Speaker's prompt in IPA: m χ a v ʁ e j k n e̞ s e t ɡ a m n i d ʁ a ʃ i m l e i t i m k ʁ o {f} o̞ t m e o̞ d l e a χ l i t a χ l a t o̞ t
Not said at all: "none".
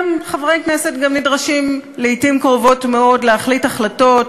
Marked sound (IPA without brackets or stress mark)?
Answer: v